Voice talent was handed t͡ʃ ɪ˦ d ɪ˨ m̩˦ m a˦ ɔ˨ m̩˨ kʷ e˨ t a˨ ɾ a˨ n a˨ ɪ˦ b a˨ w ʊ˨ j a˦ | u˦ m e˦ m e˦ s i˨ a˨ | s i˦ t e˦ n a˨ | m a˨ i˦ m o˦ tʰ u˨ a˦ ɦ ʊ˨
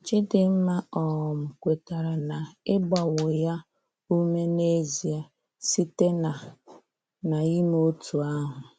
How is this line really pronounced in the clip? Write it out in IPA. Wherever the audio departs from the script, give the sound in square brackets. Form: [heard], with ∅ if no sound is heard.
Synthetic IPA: t͡ʃ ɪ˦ d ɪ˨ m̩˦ m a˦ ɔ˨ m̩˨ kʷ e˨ t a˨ ɾ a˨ n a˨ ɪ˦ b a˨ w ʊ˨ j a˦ | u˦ m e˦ [n] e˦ [z] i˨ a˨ | s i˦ t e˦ n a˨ | [n] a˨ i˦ m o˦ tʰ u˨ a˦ ɦ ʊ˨